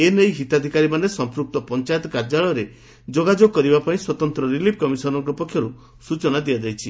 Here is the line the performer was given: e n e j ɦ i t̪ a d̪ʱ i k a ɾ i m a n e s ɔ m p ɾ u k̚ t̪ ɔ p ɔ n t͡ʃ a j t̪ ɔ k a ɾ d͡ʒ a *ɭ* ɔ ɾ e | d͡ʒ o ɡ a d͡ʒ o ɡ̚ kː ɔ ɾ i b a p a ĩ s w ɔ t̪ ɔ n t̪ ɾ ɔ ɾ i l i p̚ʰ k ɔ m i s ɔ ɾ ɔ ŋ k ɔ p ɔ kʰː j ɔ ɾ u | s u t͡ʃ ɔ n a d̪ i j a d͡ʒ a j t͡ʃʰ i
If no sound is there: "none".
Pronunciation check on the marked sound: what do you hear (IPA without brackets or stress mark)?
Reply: ɭ